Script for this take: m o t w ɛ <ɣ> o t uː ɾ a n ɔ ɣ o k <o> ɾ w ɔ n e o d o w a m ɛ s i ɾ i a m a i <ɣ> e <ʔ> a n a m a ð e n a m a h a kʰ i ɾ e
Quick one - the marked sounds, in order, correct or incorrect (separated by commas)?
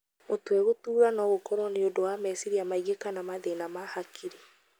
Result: correct, incorrect, correct, incorrect